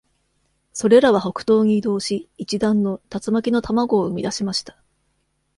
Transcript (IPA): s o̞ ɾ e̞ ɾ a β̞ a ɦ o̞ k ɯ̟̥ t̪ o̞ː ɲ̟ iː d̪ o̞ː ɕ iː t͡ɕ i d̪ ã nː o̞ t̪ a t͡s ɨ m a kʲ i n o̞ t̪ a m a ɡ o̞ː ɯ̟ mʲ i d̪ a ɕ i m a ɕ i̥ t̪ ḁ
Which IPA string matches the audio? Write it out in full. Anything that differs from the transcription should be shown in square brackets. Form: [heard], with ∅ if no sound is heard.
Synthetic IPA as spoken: s o̞ ɾ e̞ ɾ a β̞ a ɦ o̞ k ɯ̟̥ t̪ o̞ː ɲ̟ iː d̪ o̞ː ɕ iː t͡ɕ i d̪ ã nː o̞ t̪ a t͡s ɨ m a kʲ i n o̞ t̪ a m a ɡ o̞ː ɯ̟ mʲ i d̪ a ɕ i m a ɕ i̥ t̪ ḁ